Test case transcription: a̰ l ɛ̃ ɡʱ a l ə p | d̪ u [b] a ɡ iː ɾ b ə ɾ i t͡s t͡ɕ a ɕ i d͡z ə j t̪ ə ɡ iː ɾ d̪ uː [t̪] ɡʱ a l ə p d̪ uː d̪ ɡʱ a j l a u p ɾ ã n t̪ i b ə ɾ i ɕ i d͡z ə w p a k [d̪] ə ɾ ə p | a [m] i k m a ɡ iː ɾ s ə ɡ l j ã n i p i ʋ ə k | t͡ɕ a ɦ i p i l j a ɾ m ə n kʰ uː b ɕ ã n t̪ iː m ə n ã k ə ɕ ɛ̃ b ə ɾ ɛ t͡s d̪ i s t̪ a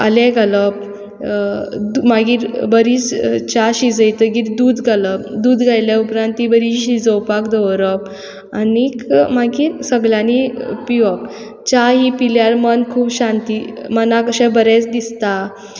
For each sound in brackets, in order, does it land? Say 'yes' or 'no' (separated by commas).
no, no, yes, no